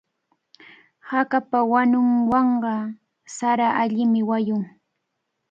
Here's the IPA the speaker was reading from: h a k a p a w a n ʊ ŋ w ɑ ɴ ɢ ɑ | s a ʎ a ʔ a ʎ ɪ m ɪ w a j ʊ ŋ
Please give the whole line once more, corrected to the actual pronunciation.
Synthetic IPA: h a k a p a w a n ʊ ŋ w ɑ ɴ ɢ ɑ | s a ɾ a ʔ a ʎ ɪ m ɪ w a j ʊ ŋ